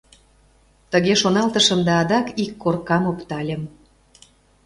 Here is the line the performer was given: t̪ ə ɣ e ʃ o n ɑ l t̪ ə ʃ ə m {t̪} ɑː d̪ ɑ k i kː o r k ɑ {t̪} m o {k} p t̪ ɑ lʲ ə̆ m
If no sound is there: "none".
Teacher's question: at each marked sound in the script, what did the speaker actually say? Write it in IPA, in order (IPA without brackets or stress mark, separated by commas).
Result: d̪, none, none